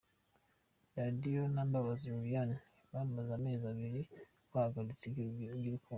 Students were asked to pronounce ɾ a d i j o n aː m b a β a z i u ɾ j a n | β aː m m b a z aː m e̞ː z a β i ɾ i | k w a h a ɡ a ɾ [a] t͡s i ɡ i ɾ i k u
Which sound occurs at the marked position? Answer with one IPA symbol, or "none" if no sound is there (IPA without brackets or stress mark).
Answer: i